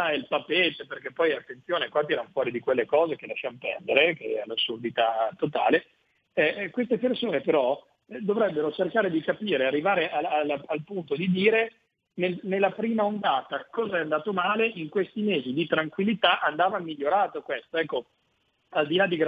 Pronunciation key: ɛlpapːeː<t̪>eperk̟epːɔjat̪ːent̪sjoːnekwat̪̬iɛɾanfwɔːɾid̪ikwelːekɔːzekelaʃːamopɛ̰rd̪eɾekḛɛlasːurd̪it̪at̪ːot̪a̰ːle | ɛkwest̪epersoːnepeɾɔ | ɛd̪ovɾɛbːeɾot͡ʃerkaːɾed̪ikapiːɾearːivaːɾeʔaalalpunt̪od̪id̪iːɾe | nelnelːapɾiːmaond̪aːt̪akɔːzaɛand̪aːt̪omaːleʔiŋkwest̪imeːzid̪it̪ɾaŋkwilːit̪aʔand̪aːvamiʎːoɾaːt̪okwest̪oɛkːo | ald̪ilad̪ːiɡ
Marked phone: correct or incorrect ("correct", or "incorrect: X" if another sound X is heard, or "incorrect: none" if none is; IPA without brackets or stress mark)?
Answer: correct